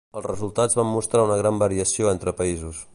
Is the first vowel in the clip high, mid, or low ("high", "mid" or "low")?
mid